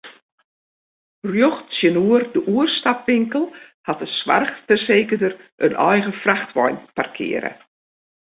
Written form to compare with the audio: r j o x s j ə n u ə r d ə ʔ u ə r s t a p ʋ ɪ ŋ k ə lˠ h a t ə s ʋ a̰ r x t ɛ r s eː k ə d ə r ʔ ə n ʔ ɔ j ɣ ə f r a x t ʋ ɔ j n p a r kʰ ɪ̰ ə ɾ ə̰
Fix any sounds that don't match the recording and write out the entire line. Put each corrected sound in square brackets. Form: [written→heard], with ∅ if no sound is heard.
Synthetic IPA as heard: r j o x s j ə n u ə r d ə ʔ u ə r s t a p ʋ ɪ ŋ k ə lˠ h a t ə s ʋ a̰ r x t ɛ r s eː k ə d ə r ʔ ə n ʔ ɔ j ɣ ə f r a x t ʋ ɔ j n p a r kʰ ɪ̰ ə ɾ ə̰